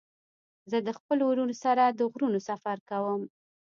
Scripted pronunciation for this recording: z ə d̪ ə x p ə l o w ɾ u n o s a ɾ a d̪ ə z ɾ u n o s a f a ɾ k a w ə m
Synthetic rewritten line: z ə d̪ ə x p ə l o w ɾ u n o s a ɾ a d̪ ə ɣ ɾ u n o s a f a ɾ k a w ə m